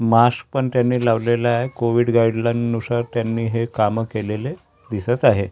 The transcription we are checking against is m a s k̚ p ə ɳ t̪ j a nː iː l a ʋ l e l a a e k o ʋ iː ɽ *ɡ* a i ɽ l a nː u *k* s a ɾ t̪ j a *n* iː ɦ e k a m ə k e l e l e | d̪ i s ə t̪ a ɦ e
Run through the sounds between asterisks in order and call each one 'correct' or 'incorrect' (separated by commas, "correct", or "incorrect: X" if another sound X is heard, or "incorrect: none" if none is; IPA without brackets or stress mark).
correct, incorrect: none, incorrect: nː